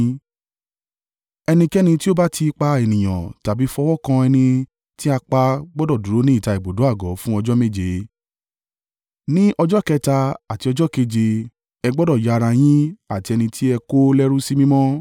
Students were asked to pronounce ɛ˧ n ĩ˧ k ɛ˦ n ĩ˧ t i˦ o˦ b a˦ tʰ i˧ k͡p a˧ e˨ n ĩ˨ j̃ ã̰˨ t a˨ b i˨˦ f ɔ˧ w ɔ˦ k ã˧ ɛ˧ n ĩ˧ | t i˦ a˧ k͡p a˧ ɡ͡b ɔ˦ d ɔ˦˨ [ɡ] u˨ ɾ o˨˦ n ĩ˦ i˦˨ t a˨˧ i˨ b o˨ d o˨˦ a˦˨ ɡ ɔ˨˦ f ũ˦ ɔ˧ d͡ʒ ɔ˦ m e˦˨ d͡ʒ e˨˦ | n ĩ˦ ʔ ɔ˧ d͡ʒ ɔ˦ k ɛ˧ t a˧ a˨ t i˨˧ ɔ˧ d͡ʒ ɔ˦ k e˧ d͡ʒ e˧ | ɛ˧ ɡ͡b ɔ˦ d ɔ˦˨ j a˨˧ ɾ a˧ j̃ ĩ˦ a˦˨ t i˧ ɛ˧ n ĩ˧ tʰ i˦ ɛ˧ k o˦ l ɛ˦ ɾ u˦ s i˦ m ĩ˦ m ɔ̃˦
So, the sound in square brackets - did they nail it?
no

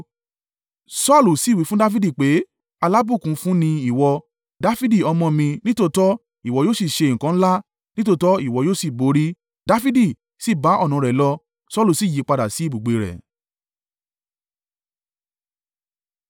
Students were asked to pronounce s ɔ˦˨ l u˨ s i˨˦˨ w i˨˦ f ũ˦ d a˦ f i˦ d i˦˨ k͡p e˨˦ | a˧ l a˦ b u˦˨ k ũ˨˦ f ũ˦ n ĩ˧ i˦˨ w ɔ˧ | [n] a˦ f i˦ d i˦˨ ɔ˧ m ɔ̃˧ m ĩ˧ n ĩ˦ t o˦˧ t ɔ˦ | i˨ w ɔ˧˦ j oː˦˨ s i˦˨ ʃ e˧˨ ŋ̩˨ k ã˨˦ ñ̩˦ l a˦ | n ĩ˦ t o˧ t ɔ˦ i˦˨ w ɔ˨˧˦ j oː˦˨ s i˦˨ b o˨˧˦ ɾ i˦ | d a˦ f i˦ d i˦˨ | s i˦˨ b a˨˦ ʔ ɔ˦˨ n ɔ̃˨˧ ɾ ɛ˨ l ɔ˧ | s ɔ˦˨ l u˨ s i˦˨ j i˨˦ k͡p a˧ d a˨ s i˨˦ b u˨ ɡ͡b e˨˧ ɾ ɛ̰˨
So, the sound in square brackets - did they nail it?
no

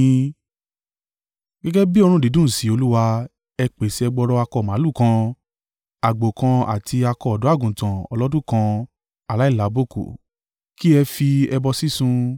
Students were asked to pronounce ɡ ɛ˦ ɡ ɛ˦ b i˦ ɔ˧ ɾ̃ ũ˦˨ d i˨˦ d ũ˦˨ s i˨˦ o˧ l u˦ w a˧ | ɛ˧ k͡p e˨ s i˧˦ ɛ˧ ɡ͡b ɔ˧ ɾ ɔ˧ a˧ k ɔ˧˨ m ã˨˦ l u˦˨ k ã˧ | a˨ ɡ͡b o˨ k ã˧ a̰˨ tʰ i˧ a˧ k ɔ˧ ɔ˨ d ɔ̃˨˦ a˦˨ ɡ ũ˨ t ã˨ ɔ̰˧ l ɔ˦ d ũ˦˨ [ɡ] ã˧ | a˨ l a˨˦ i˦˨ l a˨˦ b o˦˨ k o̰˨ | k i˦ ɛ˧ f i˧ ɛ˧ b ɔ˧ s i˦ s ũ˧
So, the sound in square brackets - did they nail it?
no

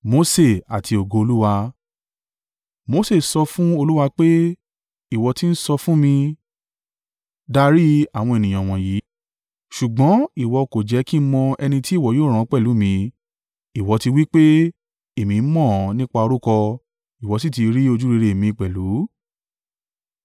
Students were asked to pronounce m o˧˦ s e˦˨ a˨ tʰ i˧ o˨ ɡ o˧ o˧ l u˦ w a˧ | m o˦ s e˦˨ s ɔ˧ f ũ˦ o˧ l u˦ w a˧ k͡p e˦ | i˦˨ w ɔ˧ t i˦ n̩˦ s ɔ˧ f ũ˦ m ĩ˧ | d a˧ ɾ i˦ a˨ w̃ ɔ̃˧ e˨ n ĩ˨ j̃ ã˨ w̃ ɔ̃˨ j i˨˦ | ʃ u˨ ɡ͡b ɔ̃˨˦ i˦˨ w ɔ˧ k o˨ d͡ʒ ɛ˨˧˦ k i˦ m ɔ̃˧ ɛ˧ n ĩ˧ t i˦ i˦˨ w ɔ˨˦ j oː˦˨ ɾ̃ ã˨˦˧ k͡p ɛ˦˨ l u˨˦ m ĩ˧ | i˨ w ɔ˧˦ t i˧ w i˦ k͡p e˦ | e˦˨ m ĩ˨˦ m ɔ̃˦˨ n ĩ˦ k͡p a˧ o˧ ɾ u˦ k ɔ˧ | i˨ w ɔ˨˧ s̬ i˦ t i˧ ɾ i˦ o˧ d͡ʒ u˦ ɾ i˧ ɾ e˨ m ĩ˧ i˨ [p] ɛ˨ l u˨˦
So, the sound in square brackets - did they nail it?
no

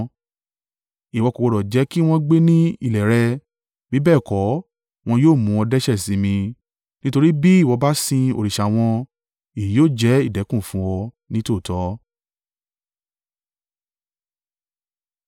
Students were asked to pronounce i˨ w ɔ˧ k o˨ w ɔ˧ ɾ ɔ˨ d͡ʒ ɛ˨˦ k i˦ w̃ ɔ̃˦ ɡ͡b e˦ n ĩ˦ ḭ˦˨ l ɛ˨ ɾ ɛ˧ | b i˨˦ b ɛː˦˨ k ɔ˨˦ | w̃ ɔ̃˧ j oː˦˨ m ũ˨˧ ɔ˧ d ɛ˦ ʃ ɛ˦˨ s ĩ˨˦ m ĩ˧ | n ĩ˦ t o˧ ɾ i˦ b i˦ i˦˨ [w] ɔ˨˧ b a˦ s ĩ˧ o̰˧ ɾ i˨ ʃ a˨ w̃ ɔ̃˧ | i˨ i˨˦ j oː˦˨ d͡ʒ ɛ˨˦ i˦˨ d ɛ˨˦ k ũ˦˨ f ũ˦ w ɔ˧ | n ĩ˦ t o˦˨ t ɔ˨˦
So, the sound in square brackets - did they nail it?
yes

